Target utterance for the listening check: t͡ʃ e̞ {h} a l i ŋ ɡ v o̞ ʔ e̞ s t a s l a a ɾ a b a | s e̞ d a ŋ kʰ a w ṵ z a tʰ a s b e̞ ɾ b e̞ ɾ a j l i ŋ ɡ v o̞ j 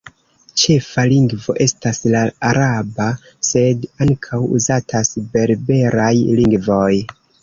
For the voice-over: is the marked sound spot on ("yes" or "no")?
no